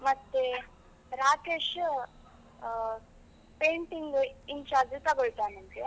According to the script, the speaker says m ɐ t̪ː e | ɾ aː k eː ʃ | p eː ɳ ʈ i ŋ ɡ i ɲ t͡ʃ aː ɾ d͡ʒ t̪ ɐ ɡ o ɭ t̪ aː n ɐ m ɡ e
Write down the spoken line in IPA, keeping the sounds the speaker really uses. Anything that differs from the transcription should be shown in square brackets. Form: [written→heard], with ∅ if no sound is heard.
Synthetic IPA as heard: m ɐ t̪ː e | ɾ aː k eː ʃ | p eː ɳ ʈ i ŋ ɡ i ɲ t͡ʃ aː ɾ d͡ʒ t̪ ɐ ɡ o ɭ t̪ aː n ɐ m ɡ e